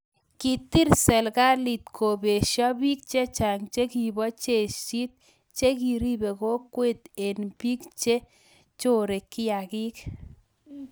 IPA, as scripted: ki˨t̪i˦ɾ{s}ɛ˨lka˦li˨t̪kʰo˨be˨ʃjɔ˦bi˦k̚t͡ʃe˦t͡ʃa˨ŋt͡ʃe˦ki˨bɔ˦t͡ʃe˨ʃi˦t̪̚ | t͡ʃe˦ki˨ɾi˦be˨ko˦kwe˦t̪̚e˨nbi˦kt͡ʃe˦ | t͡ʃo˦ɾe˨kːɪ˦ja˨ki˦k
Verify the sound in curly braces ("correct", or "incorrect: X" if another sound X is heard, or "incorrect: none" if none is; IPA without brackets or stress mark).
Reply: correct